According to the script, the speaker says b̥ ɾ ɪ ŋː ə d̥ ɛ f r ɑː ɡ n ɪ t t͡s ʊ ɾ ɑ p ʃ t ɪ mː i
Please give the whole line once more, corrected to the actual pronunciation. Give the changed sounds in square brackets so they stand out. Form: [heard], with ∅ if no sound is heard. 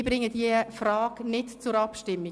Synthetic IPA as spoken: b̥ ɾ ɪ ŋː ə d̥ [i] f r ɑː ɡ n ɪ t t͡s ʊ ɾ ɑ p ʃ t ɪ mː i